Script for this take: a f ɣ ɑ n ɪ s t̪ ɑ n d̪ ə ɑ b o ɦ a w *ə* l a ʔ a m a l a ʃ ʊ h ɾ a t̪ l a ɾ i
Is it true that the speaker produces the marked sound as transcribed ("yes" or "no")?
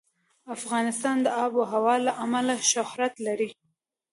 no